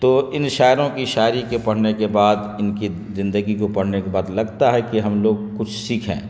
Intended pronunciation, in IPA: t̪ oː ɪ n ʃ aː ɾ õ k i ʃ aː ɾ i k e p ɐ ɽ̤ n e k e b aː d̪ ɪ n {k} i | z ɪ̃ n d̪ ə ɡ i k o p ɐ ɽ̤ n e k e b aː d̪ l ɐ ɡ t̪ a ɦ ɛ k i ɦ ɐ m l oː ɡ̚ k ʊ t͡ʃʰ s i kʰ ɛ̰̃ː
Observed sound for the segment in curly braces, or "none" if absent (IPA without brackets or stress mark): k